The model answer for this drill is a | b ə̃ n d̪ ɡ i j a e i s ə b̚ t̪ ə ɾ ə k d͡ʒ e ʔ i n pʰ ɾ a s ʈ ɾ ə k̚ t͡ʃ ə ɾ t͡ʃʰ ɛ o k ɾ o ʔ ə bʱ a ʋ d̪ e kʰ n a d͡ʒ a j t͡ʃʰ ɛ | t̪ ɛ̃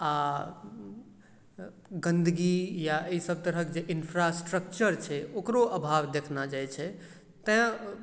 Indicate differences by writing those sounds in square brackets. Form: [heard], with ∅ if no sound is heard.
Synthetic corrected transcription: a | [ɡ] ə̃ n d̪ ɡ i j a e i s ə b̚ t̪ ə ɾ ə k d͡ʒ e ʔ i n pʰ ɾ a s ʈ ɾ ə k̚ t͡ʃ ə ɾ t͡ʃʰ ɛ o k ɾ o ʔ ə bʱ a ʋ d̪ e kʰ n a d͡ʒ a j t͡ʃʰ ɛ | t̪ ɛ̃